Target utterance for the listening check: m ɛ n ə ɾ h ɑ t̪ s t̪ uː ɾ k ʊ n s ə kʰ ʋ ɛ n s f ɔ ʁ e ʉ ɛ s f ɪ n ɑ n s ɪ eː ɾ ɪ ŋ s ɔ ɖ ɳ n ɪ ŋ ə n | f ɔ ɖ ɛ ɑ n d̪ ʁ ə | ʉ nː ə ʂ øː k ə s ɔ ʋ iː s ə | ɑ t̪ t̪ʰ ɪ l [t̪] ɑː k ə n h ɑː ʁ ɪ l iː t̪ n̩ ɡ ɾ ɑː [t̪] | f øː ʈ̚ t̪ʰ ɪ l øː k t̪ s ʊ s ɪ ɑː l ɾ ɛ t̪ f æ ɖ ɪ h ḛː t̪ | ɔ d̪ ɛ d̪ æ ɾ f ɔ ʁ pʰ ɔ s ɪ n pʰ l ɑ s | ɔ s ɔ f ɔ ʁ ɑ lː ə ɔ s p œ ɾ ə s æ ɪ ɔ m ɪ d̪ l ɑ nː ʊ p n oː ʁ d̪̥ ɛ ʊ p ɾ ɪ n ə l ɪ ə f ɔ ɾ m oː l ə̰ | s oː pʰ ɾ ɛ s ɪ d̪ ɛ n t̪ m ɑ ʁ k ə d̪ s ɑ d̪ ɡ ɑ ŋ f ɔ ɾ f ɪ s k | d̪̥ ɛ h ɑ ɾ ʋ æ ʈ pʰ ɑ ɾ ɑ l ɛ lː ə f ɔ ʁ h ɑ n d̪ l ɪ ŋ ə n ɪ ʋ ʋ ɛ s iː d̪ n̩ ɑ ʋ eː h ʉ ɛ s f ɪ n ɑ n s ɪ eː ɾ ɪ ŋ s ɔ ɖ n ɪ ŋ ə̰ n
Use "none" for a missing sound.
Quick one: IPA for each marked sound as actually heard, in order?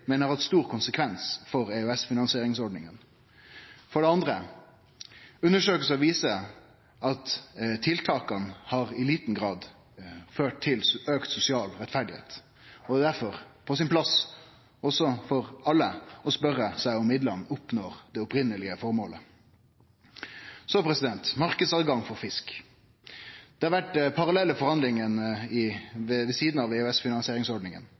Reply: t̪ʰ, d̪

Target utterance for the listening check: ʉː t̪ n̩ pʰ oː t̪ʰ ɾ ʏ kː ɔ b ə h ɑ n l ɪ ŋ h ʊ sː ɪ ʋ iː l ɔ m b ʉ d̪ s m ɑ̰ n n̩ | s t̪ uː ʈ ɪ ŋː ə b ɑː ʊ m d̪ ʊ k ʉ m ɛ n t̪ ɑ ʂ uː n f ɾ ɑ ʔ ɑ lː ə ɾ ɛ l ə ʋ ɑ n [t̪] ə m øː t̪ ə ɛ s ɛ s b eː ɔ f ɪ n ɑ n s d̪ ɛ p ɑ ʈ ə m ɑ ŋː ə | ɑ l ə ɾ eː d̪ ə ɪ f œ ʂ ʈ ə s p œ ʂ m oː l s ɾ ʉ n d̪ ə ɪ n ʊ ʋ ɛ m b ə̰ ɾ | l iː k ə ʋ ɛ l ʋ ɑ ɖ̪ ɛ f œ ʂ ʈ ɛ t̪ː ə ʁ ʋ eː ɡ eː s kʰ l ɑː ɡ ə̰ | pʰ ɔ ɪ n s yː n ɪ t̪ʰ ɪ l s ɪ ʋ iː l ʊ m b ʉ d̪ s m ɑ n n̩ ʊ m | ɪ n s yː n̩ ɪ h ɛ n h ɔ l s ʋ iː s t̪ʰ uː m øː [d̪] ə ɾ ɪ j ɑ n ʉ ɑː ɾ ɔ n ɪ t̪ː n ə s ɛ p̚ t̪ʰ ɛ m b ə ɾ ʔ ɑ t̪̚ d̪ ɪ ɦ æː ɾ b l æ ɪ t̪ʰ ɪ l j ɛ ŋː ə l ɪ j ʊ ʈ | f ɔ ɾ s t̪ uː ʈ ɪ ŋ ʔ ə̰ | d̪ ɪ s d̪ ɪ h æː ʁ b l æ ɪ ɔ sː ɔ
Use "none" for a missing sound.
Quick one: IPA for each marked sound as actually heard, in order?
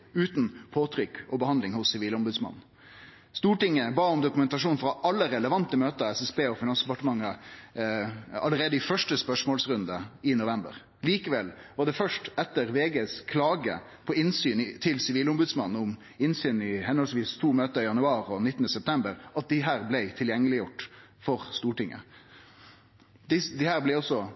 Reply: t̪, t̪

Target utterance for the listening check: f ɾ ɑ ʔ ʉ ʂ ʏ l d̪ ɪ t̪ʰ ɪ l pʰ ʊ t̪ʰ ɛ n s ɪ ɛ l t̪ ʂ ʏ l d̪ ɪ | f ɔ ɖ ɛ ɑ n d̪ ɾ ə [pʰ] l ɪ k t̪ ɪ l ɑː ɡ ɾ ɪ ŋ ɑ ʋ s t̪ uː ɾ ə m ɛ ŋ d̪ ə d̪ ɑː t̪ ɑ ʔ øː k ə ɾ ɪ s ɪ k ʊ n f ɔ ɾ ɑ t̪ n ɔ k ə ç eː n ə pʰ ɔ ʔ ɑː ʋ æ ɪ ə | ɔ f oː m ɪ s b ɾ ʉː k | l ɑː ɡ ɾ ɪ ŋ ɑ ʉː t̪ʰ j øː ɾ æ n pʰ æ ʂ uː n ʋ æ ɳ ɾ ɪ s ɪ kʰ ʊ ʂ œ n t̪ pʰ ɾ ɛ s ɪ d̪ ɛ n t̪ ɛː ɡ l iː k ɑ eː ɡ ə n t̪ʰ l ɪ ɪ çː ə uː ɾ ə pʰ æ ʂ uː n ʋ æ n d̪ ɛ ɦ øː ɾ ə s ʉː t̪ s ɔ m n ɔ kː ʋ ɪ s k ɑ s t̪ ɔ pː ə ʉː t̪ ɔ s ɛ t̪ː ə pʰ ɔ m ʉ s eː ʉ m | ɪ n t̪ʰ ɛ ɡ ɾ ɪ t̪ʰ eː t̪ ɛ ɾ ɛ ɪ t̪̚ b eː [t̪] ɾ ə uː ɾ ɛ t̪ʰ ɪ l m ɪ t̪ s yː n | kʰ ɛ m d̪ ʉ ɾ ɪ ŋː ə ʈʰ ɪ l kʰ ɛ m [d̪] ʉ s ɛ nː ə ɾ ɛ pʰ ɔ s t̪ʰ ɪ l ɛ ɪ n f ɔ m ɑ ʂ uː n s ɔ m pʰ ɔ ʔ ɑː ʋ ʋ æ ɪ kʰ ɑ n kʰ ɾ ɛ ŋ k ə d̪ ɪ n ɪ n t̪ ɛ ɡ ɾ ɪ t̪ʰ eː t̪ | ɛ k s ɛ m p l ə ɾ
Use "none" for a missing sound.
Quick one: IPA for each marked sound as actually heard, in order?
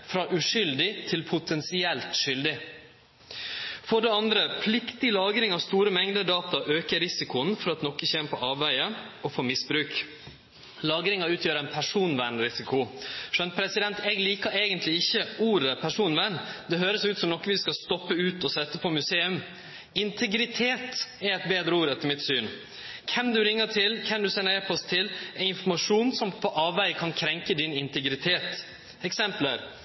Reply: pʰ, d̪, d̪

